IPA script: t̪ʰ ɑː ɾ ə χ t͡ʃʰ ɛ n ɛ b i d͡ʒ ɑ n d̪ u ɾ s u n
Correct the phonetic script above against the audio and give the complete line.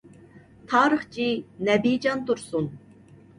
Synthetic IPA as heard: t̪ʰ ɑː ɾ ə χ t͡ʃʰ i n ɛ b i d͡ʒ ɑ n t̪ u ɾ s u n